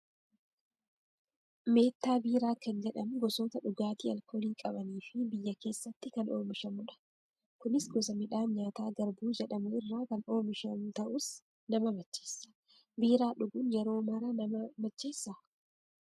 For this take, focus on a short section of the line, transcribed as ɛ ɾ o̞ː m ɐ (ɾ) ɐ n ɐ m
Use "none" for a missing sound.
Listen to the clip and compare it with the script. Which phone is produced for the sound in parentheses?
ɾ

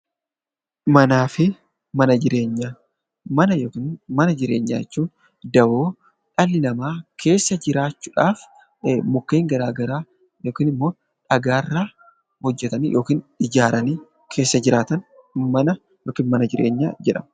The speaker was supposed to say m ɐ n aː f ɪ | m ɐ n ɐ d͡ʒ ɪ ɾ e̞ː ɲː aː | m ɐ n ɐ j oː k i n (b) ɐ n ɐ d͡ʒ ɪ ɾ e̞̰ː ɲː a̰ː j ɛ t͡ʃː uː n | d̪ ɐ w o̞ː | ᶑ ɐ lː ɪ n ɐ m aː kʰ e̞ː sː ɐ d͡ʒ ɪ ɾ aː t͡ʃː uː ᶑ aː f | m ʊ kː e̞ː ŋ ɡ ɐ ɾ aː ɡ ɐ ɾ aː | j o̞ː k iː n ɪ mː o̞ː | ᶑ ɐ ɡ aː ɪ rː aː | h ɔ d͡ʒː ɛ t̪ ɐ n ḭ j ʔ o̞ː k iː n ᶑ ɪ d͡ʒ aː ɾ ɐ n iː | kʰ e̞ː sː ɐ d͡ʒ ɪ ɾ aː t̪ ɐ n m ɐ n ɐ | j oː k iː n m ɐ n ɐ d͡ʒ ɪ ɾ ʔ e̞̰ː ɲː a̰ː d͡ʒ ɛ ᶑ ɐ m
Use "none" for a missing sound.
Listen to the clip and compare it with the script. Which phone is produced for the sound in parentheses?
m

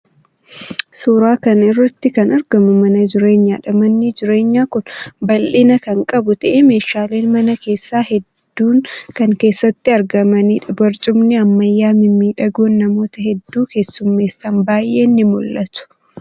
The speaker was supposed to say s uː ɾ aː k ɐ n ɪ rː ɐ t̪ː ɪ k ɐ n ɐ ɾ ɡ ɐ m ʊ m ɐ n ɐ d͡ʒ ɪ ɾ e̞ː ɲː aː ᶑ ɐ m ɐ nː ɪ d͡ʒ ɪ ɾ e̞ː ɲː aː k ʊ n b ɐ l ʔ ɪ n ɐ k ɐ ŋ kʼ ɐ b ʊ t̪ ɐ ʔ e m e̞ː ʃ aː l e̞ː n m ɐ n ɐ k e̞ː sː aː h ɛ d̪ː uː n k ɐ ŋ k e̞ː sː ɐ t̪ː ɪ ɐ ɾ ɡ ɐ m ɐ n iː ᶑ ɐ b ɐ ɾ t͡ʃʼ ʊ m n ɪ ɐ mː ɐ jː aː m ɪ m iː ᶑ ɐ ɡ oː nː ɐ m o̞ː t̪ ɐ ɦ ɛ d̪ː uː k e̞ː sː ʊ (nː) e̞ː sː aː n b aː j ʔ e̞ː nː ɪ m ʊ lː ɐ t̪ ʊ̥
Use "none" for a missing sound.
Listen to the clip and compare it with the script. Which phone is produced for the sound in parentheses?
mː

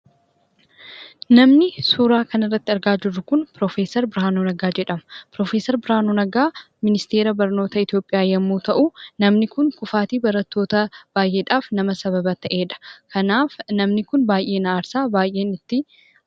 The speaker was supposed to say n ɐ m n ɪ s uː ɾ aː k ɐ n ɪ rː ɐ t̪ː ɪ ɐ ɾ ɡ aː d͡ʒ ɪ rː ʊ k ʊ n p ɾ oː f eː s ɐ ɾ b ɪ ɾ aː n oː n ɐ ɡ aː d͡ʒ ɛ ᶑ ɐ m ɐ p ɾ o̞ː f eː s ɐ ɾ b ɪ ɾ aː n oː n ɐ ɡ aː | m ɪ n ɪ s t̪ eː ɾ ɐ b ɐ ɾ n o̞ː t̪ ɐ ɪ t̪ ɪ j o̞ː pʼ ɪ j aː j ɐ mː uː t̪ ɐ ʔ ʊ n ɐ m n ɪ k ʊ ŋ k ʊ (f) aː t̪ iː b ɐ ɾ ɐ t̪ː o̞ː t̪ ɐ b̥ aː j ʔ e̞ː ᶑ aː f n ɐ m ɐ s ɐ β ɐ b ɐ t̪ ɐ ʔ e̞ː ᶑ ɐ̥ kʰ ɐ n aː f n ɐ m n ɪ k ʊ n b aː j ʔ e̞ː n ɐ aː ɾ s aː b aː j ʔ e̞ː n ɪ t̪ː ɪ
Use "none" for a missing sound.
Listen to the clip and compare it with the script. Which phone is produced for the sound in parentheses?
f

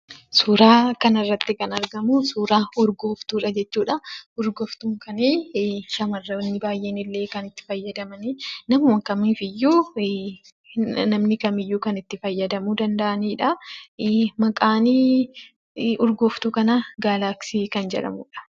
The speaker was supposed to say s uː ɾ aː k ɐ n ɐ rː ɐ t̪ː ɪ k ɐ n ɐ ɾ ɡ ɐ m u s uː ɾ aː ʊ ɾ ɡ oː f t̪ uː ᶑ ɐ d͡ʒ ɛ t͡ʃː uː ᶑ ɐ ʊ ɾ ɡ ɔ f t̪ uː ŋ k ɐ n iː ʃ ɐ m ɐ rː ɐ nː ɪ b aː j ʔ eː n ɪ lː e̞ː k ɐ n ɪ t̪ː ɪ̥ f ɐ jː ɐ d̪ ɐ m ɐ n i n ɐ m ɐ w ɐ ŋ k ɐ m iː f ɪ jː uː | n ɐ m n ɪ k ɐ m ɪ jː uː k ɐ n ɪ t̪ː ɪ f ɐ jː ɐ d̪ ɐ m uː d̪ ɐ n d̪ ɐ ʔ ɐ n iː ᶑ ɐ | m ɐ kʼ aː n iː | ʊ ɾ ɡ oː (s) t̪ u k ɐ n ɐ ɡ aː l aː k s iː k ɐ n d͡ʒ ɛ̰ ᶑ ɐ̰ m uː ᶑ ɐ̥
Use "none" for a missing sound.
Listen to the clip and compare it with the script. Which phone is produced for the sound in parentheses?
f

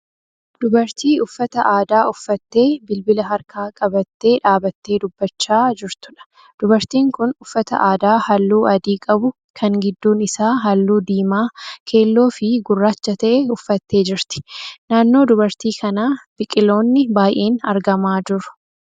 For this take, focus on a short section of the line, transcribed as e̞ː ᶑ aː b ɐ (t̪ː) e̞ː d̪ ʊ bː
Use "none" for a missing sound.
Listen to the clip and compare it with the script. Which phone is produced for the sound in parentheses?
t̪ː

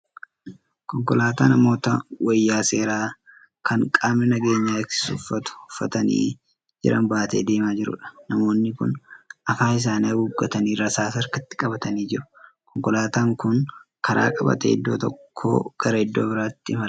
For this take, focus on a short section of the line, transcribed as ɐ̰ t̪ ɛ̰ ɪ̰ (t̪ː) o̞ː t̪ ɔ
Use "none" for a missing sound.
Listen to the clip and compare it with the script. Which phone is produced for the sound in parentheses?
d̪ː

